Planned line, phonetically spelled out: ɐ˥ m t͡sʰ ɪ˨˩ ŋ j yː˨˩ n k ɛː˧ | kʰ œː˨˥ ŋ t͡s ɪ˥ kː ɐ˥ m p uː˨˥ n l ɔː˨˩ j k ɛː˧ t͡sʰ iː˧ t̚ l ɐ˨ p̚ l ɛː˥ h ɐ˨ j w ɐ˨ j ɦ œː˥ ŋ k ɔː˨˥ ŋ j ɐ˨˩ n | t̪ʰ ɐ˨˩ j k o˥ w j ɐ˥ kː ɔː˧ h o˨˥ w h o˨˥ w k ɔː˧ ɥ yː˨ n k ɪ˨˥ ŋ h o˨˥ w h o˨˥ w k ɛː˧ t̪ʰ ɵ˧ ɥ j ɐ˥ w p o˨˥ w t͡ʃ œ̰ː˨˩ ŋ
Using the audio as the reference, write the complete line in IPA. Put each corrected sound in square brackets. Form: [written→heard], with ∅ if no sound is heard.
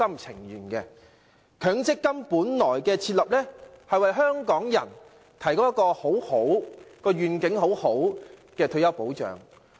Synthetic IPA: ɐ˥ m t͡sʰ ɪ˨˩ ŋ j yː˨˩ n k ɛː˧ | kʰ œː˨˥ ŋ t͡s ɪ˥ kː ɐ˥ m p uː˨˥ n l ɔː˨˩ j k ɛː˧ t͡sʰ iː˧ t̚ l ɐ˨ p̚ l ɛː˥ h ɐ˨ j w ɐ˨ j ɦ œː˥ ŋ k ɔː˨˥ ŋ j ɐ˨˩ n | t̪ʰ ɐ˨˩ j k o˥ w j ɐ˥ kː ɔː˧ h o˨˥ w h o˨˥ w k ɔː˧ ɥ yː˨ n k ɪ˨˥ ŋ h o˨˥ w h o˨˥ w k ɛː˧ t̪ʰ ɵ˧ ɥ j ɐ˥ w p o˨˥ w t͡ʃ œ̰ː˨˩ ŋ